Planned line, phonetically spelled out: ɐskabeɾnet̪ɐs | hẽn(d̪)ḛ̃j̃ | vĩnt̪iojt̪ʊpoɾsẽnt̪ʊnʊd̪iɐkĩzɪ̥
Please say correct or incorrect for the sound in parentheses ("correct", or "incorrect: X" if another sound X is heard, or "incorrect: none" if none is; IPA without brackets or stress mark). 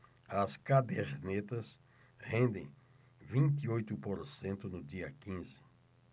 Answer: correct